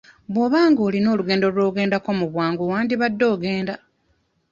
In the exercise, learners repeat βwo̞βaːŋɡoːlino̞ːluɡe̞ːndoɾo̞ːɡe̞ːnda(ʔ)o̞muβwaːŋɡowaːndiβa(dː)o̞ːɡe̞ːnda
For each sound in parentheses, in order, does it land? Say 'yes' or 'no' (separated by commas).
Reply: no, yes